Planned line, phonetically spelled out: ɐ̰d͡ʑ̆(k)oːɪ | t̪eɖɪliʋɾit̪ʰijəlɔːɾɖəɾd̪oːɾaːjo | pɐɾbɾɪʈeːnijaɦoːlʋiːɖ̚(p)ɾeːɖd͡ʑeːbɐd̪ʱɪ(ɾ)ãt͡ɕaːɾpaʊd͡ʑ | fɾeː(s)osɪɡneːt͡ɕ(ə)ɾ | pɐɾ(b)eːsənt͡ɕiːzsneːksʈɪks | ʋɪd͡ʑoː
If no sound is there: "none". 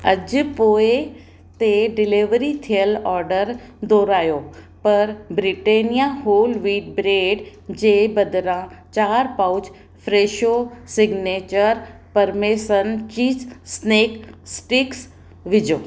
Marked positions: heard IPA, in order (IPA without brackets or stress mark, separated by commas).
p, b, ɾ, ʃ, ə, m